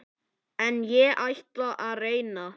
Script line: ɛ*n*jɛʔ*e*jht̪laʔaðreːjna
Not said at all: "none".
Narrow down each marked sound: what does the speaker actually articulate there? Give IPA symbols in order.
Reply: n, a

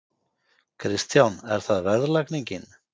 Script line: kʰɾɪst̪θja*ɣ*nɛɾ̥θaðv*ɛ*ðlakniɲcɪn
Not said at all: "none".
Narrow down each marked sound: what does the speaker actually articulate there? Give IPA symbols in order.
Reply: w, ɛ

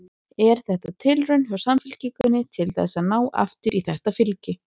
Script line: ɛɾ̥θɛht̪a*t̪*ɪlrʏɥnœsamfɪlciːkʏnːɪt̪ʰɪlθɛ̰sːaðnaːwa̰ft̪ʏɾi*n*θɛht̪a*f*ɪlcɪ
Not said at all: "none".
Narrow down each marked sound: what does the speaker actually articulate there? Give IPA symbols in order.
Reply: t̪ʰ, none, f

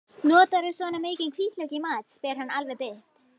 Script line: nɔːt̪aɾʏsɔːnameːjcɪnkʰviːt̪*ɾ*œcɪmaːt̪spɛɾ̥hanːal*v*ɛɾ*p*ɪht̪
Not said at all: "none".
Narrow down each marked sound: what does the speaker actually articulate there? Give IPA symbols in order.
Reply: l, v, p

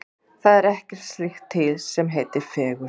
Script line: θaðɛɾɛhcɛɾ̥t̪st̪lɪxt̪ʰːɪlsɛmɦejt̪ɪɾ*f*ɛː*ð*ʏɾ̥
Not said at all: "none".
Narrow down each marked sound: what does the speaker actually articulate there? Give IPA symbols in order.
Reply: f, ɣ

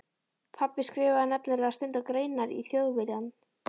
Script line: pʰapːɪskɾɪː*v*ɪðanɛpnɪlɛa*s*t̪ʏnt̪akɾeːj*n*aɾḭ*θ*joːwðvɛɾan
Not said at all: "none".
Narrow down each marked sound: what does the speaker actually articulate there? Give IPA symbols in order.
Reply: v, s, n, θ

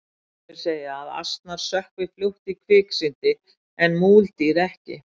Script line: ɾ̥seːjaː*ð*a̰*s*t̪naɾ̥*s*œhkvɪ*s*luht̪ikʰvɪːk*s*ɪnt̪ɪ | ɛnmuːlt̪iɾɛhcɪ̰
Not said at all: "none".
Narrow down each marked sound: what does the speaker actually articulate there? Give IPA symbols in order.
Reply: ð, s, s, f, s

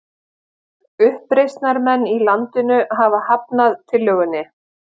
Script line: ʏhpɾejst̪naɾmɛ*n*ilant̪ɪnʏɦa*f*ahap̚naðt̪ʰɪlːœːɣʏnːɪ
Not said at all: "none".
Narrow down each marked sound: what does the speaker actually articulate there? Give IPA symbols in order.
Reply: nː, v

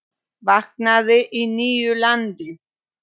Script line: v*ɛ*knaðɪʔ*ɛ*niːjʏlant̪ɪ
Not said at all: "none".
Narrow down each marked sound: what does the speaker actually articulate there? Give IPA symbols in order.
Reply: a, i

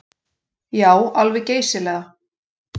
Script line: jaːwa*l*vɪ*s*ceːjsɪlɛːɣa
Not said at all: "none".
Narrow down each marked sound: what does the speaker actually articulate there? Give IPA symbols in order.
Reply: l, none

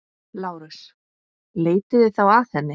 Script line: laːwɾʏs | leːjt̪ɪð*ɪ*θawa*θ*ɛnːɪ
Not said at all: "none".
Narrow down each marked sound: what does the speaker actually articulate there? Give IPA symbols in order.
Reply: ɪ, θ

